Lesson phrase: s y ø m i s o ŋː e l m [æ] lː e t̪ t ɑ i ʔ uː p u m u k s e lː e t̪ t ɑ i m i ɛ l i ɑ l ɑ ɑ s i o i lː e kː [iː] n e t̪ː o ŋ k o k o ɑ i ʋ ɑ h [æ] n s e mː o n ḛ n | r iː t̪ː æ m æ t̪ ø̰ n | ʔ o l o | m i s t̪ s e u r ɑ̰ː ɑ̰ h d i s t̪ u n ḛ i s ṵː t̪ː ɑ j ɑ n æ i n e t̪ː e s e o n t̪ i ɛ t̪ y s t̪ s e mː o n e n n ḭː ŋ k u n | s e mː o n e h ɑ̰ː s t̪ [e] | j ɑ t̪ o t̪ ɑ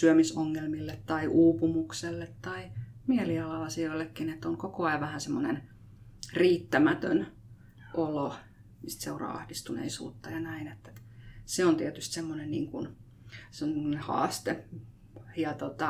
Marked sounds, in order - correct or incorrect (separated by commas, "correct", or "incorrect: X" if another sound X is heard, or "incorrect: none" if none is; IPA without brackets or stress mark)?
incorrect: i, incorrect: i, correct, correct